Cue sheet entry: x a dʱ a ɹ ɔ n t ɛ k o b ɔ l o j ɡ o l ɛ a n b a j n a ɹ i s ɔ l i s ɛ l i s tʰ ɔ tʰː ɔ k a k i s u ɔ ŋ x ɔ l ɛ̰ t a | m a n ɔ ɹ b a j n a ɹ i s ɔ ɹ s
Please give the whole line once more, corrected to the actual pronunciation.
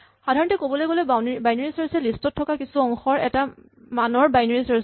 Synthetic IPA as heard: x a dʱ a ɹ ɔ n t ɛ k o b ɔ l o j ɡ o l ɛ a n b a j n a ɹ i s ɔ ɹ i s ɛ l i s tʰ ɔ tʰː ɔ k a k i s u ɔ ŋ x ɔ ɹ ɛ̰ t a | m a n ɔ ɹ b a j n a ɹ i s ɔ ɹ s